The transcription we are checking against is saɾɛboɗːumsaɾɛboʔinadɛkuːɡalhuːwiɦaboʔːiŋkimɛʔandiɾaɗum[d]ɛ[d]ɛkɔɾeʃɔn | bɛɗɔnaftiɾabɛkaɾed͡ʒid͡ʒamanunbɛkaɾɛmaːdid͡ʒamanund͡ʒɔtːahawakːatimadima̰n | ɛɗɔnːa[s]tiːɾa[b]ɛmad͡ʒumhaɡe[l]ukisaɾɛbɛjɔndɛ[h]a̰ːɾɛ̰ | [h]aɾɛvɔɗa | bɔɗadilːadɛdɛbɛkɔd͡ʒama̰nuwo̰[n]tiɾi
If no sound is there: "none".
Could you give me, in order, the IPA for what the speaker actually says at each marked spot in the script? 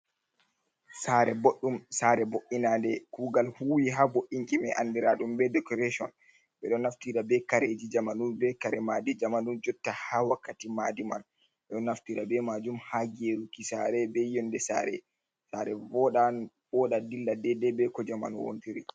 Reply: b, d, f, b, ɾ, s, s, n

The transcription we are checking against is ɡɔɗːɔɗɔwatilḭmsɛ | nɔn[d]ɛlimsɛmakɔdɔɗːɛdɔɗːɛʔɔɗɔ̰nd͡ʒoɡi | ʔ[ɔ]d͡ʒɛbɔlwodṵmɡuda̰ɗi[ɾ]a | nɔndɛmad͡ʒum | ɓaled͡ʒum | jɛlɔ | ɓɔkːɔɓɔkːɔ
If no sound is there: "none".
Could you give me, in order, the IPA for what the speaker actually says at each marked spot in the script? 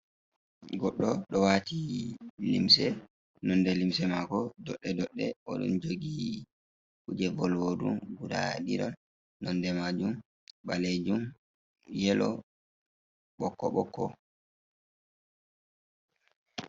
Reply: d, u, ɾ

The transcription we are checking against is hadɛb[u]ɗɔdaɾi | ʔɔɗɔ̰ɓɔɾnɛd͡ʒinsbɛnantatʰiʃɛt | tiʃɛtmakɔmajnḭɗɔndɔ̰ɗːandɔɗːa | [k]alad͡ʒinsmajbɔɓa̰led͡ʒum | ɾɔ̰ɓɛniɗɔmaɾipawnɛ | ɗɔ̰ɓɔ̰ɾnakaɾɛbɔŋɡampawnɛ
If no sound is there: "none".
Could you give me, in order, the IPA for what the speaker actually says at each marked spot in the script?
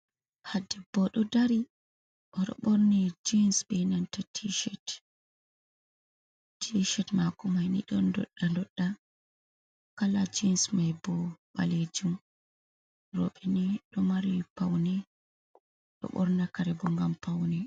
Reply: ɔ, k

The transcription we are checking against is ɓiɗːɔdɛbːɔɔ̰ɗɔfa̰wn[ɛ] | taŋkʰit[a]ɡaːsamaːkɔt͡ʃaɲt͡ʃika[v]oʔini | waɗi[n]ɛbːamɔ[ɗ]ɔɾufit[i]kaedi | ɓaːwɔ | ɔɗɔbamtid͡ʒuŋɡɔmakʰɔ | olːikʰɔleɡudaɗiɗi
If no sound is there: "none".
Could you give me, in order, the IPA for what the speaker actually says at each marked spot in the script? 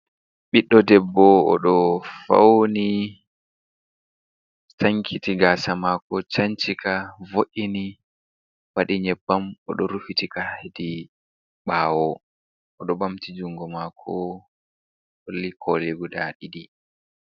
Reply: i, i, v, ɲ, ɗ, i

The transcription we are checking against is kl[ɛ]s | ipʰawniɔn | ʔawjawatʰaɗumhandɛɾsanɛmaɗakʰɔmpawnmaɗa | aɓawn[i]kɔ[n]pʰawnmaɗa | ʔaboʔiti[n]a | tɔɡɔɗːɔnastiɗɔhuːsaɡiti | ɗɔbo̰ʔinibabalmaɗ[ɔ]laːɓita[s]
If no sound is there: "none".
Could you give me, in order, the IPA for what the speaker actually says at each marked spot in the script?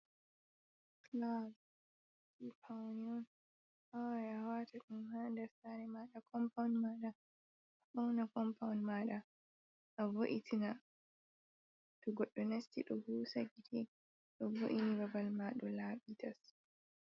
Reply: a, a, m, n, ɔ, s

